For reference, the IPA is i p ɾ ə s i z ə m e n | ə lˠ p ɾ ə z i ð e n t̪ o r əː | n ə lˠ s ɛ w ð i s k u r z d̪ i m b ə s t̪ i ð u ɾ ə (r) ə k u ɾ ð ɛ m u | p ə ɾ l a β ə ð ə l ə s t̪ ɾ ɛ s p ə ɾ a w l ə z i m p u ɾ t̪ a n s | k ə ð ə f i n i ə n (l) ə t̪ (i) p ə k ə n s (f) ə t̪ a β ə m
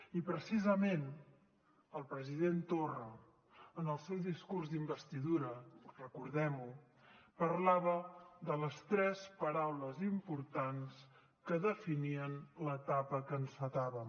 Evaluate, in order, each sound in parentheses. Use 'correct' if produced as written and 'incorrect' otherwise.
correct, correct, incorrect, correct

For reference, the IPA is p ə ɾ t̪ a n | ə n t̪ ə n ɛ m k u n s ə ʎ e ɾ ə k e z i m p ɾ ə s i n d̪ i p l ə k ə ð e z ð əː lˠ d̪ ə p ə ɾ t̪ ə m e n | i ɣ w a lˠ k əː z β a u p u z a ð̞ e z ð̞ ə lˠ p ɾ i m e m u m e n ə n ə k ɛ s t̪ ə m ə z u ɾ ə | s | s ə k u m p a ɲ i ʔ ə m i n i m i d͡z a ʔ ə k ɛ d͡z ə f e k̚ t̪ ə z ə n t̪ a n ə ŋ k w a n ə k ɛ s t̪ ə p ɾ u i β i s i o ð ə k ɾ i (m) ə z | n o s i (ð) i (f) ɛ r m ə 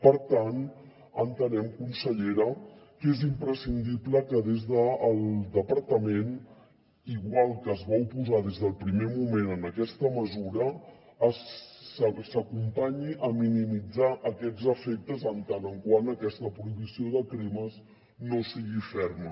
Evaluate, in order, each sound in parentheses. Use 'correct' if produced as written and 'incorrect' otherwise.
correct, incorrect, correct

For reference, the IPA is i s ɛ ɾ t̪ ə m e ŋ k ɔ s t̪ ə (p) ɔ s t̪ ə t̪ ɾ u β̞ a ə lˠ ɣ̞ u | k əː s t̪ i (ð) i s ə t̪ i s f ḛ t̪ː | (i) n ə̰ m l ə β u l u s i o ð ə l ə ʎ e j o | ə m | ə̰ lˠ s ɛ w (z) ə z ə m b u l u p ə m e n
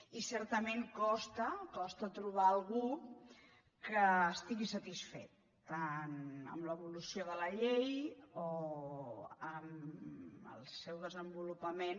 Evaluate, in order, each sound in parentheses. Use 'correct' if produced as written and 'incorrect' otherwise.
incorrect, incorrect, incorrect, incorrect

